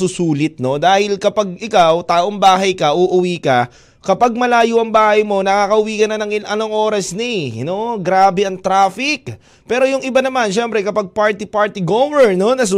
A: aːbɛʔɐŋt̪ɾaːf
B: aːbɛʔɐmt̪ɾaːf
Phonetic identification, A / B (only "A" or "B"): A